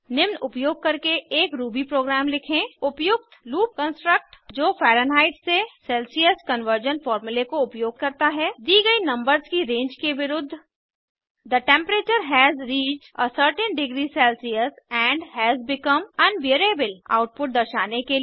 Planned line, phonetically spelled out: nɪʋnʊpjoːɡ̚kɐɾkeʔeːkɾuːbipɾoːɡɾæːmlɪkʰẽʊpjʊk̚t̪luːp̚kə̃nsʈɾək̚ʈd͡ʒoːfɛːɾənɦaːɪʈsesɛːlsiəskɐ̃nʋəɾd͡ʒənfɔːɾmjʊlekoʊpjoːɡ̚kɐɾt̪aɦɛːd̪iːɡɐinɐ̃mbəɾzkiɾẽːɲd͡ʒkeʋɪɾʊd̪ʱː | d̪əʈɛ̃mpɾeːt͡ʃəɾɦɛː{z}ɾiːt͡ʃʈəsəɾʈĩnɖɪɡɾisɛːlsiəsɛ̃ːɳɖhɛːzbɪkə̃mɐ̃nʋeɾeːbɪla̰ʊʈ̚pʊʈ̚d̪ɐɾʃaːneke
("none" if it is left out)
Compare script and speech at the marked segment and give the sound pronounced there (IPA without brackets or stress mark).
z